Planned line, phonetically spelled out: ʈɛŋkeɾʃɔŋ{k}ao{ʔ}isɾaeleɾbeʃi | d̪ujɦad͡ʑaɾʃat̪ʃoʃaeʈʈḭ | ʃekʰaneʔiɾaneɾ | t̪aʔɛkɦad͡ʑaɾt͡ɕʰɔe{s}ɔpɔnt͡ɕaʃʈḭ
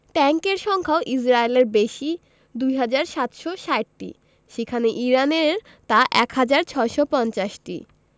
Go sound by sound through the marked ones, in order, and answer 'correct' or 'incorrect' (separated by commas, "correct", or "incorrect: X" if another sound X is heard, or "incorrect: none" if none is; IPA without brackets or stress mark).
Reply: incorrect: kʰ, correct, incorrect: ʃ